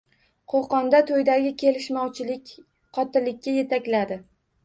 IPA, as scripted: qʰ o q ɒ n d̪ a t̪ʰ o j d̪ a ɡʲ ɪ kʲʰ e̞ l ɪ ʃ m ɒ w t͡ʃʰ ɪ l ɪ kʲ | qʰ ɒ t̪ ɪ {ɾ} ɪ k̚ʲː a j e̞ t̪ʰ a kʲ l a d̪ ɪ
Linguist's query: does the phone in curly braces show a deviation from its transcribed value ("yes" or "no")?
yes